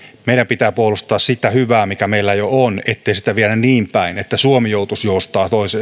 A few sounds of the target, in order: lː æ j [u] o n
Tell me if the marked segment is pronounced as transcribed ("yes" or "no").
no